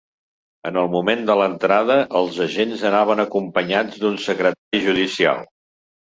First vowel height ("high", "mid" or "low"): mid